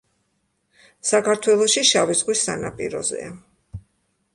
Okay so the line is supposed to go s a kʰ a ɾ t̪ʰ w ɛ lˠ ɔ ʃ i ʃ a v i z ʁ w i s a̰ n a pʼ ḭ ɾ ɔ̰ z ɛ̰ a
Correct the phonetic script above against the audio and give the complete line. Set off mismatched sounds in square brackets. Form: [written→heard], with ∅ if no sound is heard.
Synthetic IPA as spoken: s a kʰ a ɾ t̪ʰ w ɛ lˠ ɔ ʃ i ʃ a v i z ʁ w i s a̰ n a pʼ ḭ ɾ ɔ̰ z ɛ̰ a

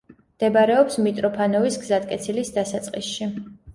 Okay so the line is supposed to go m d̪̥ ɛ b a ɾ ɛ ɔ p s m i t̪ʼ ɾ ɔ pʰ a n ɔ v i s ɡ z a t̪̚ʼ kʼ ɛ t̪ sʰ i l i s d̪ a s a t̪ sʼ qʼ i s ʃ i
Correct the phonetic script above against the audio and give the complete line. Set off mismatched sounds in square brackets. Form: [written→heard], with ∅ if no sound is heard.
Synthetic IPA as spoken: m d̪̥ ɛ b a ɾ ɛ ɔ p s m i t̪ʼ ɾ ɔ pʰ a n ɔ v i s ɡ z a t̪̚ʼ kʼ ɛ t̪ sʰ i l i s d̪ a s a t̪ sʼ qʼ i s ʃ i

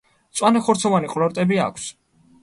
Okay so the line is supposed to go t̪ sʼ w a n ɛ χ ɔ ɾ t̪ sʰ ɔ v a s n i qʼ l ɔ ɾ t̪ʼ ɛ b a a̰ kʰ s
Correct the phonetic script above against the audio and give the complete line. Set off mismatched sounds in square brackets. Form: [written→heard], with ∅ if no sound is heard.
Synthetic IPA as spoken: t̪ sʼ w a n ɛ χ ɔ ɾ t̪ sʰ ɔ v a [s→∅] n i qʼ l ɔ ɾ t̪ʼ ɛ b [a→i] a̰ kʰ s

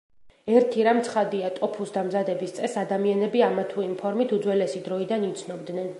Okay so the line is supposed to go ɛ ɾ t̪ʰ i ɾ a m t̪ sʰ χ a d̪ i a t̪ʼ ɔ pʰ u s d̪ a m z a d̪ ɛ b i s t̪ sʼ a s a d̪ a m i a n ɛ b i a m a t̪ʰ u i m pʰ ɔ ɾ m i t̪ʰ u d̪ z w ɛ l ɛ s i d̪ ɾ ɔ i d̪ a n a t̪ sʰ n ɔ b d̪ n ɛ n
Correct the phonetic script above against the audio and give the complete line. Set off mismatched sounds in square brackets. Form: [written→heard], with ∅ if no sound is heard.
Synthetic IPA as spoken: ɛ ɾ t̪ʰ i ɾ a m t̪ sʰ χ a d̪ i a t̪ʼ ɔ pʰ u s d̪ a m z a d̪ ɛ b i s t̪ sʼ [a→ɛ] s a d̪ a m i a n ɛ b i a m a t̪ʰ u i m pʰ ɔ ɾ m i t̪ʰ u d̪ z w ɛ l ɛ s i d̪ ɾ ɔ i d̪ a n [a→i] t̪ sʰ n ɔ b d̪ n ɛ n

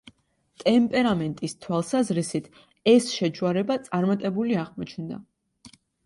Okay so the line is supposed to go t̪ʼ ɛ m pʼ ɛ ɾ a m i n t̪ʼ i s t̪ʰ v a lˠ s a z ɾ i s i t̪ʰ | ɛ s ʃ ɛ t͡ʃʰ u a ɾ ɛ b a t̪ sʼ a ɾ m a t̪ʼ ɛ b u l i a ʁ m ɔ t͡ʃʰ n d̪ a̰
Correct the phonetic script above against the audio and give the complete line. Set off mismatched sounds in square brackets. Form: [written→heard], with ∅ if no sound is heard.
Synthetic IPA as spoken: t̪ʼ ɛ m pʼ ɛ ɾ a m [i→ɛ] n t̪ʼ i s t̪ʰ [v→w] a lˠ s a z ɾ i s i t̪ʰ | ɛ s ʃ ɛ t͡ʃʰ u a ɾ ɛ b a t̪ sʼ a ɾ m a t̪ʼ ɛ b u l i a ʁ m ɔ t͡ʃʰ n d̪ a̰

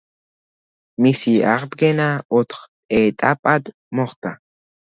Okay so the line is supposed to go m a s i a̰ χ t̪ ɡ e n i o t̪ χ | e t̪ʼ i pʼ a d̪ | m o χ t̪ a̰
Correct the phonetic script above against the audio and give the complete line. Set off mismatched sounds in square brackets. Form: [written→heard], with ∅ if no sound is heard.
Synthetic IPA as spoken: m [a→i] s i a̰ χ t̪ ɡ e n [i→a] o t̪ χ | e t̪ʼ [i→a] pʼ a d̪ | m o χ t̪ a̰

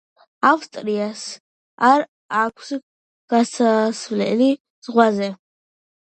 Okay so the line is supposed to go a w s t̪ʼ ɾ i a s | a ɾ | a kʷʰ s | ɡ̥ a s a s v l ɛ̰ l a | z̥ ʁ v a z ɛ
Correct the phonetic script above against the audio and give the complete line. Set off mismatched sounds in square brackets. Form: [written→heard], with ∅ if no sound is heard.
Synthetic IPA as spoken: a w s t̪ʼ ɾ i a s | a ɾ | a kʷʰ s | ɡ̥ a s a s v l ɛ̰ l [a→i] | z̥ ʁ [v→w] a z ɛ

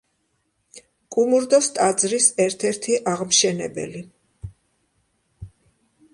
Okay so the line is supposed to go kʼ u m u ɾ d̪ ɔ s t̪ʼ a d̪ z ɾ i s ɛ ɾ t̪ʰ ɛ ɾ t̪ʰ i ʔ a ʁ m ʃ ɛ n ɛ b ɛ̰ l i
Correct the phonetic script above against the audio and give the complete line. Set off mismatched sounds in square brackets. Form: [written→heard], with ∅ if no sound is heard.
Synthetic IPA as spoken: kʼ u m u ɾ d̪ ɔ s t̪ʼ a d̪ z ɾ i s ɛ ɾ t̪ʰ ɛ ɾ t̪ʰ i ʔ a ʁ m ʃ ɛ n ɛ b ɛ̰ l i

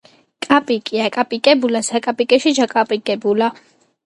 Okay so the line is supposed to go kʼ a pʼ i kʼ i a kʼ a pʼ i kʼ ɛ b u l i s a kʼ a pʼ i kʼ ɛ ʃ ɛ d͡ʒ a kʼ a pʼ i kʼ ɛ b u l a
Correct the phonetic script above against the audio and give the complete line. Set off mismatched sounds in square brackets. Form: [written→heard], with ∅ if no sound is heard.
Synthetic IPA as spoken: kʼ a pʼ i kʼ i a kʼ a pʼ i kʼ ɛ b u l [i→a] s a kʼ a pʼ i kʼ ɛ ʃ [ɛ→i] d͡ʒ a kʼ a pʼ i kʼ ɛ b u l a

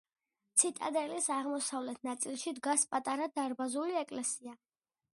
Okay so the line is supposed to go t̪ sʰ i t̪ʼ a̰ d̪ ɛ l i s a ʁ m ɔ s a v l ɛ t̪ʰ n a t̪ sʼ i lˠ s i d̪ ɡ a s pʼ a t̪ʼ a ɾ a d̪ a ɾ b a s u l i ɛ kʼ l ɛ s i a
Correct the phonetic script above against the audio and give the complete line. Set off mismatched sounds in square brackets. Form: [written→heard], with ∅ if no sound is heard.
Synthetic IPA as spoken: t̪ sʰ i t̪ʼ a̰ d̪ ɛ l i s a ʁ m ɔ s a v l ɛ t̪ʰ n a t̪ sʼ i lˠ [s→ʃ] i d̪ ɡ a s pʼ a t̪ʼ a ɾ a d̪ a ɾ b a [s→z] u l i ɛ kʼ l ɛ s i a

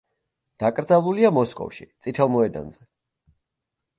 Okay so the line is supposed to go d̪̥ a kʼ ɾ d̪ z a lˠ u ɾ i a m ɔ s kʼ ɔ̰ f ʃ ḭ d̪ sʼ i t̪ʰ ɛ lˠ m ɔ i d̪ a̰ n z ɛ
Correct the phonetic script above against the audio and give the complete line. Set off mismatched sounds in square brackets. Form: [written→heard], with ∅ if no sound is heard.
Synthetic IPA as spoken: d̪̥ a kʼ ɾ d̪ z a lˠ u [ɾ→l] i a m ɔ s kʼ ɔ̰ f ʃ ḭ [d̪→t̪] sʼ i t̪ʰ ɛ lˠ m ɔ [i→ɛ] d̪ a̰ n z ɛ

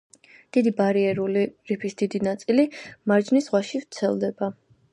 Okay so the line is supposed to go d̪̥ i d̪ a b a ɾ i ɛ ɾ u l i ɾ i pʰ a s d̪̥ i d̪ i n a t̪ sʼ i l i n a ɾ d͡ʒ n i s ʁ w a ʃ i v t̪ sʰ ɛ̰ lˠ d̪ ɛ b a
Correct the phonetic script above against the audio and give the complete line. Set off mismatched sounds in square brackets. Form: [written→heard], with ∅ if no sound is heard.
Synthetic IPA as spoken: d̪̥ i d̪ [a→i] b a ɾ i ɛ ɾ u l i ɾ i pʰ [a→i] s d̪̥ i d̪ i n a t̪ sʼ i l i [n→m] a ɾ d͡ʒ n i s ʁ w a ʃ i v t̪ sʰ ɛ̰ lˠ d̪ ɛ b a

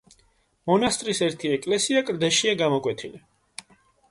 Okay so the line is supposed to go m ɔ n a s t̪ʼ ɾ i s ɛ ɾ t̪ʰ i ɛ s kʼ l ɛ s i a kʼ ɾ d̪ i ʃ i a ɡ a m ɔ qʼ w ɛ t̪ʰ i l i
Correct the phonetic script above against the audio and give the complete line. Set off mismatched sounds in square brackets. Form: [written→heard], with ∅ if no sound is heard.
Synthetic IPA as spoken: m ɔ n a s t̪ʼ ɾ i s ɛ ɾ t̪ʰ i ɛ [s→∅] kʼ l ɛ s i a kʼ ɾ d̪ [i→ɛ] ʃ i a ɡ a m ɔ [qʼ→kʼ] w ɛ t̪ʰ i l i

